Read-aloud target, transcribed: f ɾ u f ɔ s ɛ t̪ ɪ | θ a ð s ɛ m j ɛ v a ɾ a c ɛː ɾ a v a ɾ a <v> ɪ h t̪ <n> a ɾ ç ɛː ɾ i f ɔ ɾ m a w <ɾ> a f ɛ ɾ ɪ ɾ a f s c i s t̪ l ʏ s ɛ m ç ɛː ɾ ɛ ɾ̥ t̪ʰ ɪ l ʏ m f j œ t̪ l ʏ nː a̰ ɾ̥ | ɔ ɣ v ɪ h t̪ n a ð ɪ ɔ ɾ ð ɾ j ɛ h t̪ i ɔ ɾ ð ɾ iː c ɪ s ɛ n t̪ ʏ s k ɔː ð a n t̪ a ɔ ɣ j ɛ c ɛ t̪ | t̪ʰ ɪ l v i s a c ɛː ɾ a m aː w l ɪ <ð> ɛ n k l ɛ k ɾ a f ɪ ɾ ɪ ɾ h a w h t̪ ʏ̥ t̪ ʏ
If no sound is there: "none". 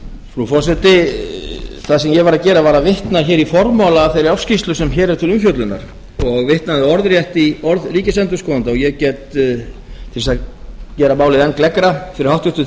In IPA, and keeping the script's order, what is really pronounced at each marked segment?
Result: v, n, l, ð

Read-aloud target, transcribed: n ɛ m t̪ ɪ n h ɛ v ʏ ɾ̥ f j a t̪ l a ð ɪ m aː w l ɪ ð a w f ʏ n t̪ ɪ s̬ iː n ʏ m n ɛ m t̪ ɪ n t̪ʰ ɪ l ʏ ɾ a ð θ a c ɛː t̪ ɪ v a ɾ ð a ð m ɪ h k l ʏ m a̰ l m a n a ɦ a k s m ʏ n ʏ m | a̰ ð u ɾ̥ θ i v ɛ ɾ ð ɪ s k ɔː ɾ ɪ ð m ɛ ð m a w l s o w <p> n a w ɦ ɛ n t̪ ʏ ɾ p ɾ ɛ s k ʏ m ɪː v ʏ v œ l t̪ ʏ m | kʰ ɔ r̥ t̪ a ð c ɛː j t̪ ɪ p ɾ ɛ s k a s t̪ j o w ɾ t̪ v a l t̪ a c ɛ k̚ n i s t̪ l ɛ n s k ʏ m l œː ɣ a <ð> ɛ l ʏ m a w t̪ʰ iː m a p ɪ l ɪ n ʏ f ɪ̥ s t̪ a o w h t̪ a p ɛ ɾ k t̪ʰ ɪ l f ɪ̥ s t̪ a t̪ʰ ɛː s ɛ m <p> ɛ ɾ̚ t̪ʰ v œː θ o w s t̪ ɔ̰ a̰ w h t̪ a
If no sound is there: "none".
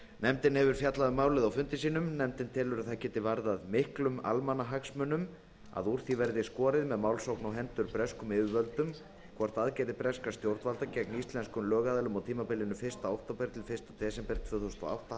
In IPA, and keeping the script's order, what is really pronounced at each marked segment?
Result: k, ð, p

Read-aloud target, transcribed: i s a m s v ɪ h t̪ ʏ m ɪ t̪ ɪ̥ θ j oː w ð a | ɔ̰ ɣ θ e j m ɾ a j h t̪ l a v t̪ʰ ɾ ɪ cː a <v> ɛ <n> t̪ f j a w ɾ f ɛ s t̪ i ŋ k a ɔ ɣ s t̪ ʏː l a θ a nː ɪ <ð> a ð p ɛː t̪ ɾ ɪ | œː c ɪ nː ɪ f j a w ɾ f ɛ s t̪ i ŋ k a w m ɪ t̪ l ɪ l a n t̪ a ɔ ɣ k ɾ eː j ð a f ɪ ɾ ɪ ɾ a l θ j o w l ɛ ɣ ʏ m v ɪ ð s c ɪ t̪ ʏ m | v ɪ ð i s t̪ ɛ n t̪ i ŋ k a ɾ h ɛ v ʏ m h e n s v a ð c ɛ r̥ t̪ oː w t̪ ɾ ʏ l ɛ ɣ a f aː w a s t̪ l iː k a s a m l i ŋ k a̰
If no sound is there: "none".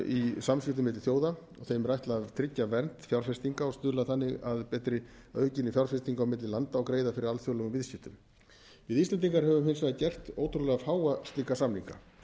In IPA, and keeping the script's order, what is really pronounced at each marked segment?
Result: v, n, ɣ

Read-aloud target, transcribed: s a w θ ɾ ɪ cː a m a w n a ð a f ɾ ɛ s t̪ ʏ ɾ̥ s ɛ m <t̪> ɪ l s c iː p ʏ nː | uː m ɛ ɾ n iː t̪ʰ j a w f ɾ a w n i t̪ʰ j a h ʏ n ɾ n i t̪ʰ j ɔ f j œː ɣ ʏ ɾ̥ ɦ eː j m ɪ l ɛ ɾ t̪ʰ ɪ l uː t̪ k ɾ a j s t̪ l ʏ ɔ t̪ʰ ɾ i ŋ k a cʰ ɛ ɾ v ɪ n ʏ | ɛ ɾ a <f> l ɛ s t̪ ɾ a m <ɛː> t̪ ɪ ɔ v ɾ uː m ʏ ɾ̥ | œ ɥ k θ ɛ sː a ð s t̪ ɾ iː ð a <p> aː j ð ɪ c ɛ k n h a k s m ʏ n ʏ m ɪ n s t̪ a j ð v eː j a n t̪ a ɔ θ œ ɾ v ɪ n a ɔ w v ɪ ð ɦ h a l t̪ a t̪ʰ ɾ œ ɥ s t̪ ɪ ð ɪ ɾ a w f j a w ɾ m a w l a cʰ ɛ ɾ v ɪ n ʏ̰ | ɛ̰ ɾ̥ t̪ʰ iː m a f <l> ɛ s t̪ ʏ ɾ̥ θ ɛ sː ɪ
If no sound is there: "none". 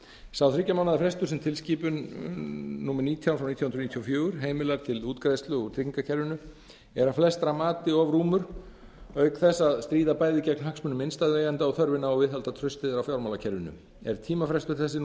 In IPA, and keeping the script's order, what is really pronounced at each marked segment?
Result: t̪ʰ, f, aː, p, ɾ

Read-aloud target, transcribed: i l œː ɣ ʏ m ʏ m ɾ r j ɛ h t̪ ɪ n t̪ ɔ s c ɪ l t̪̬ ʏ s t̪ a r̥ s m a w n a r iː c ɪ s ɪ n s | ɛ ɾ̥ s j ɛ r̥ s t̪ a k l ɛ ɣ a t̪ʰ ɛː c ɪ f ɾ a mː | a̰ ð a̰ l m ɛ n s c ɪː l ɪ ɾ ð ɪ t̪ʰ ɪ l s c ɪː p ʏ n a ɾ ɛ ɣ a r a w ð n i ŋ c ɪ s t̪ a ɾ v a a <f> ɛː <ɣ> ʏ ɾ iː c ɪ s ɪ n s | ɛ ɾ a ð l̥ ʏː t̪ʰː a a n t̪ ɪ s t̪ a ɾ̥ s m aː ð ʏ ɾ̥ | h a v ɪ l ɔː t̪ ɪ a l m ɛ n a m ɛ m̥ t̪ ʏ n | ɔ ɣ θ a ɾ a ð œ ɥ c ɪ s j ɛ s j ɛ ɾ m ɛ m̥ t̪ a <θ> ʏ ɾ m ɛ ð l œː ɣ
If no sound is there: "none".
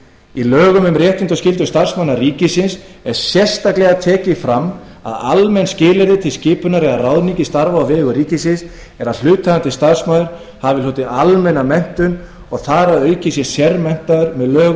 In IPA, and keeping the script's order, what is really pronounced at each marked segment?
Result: v, ɣ, ð

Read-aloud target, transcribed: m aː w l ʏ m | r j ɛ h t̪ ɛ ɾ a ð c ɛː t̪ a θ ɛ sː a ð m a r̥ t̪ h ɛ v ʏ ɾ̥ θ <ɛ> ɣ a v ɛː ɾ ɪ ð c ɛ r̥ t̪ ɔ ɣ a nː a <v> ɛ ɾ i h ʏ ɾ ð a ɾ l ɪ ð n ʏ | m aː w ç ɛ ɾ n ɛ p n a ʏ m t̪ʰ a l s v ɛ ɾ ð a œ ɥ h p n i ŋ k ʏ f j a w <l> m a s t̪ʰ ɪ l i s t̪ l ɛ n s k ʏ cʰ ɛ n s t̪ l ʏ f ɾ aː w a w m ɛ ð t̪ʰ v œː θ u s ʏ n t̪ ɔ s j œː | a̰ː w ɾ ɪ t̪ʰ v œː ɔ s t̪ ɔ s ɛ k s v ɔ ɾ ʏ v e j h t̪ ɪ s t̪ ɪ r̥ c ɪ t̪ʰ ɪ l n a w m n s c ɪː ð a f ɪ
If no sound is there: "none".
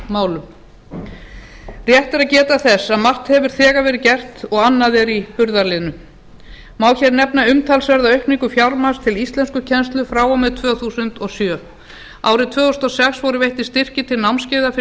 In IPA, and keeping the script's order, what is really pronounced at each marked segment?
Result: ɛː, ð, ɾ

